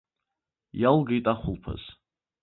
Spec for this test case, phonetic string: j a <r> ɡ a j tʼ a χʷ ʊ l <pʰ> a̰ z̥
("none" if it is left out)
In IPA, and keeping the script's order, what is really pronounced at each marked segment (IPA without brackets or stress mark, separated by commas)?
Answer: l, pʰ